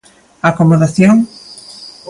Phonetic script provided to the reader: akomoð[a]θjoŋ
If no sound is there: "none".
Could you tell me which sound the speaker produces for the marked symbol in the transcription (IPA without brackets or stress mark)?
a